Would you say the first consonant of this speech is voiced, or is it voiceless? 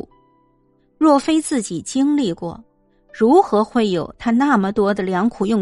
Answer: voiced